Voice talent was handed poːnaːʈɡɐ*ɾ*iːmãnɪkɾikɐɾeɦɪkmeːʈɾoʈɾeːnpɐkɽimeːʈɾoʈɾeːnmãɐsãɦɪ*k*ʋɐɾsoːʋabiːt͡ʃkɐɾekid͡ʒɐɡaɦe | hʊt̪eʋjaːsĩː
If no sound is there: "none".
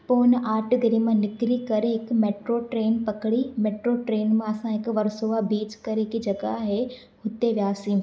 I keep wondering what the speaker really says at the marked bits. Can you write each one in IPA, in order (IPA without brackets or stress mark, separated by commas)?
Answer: ɾ, k